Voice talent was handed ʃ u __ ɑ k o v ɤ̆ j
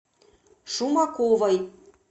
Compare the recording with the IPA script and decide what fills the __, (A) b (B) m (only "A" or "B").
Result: B